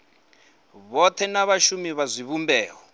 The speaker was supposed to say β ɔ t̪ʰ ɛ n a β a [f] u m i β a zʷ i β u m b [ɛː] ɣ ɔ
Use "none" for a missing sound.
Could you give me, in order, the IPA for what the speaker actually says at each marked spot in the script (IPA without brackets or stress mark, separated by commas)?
ʃ, ɛː